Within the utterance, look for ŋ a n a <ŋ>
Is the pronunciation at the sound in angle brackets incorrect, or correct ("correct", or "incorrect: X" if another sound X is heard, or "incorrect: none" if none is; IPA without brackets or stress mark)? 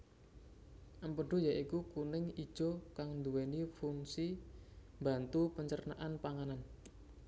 incorrect: n